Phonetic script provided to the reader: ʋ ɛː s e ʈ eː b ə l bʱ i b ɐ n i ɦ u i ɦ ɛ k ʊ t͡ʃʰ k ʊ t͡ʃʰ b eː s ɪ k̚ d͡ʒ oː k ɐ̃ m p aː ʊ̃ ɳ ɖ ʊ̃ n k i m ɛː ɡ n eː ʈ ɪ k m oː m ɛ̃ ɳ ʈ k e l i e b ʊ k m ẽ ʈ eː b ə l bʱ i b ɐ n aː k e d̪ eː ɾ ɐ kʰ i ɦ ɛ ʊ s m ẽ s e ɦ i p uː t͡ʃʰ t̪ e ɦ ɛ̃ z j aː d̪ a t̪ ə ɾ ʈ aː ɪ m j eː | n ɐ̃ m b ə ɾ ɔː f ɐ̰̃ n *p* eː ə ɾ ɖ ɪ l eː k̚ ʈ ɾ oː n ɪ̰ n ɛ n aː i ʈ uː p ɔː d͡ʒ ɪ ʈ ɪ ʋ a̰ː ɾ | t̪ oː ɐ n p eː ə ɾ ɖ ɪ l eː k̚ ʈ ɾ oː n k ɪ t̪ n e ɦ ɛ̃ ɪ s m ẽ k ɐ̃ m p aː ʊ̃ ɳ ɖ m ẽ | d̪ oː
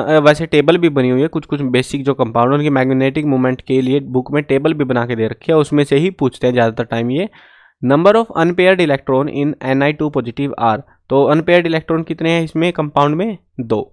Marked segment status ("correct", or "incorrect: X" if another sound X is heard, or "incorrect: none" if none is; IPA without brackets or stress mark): correct